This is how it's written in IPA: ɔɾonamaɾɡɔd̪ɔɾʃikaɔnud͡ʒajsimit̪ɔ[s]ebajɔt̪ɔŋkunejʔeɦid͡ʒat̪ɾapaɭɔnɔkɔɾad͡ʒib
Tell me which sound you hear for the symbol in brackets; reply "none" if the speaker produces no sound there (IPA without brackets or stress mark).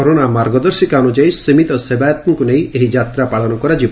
s